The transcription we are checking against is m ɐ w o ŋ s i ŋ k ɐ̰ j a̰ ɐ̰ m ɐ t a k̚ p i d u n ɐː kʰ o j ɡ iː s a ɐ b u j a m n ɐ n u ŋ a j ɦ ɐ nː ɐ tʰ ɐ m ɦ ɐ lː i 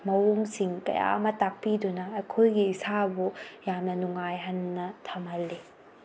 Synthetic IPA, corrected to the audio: m ɐ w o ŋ s i ŋ k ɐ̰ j a̰ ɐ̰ m ɐ t a k̚ p i d u n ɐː kʰ o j ɡ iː s a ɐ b u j a m n ɐ n u ŋ a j ɦ ɐ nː ɐ tʰ ɐ m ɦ ɐ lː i